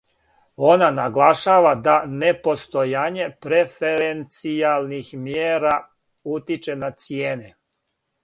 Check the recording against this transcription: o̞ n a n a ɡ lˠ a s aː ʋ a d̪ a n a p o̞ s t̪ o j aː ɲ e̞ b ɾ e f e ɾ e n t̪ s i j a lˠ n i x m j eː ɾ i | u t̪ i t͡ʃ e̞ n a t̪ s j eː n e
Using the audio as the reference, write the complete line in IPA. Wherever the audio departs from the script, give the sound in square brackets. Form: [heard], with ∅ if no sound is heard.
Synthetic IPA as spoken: o̞ n a n a ɡ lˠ a [ʃ] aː ʋ a d̪ a n [e] p o̞ s t̪ o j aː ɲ e̞ [p] ɾ e f e ɾ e n t̪ s i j a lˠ n i x m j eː ɾ [a] | u t̪ i t͡ʃ e̞ n a t̪ s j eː n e